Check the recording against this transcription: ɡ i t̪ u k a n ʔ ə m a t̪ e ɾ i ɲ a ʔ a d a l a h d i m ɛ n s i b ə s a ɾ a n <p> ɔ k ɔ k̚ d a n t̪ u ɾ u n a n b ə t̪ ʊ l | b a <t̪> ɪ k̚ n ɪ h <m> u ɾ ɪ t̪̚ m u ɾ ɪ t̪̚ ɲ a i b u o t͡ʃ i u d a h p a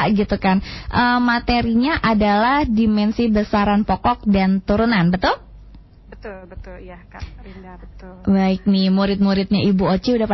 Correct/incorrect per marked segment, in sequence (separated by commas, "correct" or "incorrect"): correct, incorrect, correct